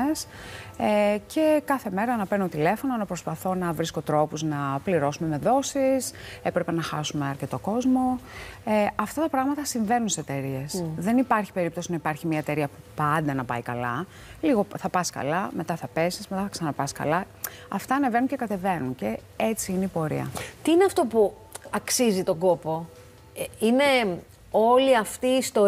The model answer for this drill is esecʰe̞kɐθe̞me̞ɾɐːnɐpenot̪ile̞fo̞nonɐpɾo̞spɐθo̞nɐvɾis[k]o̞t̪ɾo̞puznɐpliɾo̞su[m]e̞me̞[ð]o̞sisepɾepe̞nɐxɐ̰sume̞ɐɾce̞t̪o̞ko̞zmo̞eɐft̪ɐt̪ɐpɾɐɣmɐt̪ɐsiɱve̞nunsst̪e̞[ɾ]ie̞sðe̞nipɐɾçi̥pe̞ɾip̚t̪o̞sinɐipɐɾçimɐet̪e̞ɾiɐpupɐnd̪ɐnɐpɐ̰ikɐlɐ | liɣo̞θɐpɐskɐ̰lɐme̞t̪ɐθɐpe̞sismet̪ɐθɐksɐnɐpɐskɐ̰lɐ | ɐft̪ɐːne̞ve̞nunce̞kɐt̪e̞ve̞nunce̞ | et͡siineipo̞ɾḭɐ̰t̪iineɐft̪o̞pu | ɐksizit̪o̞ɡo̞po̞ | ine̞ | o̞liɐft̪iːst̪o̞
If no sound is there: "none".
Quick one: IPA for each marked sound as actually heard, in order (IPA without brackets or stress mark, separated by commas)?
k, m, ð, ɾ